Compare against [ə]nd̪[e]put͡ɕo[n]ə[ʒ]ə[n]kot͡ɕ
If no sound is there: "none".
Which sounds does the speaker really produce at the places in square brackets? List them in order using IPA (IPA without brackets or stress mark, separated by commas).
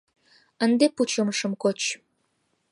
ə, e, m, ʃ, m